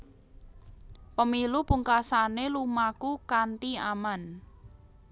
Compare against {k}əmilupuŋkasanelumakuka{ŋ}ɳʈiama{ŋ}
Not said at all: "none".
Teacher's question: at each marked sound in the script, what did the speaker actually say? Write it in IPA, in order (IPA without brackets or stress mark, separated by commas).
p, none, n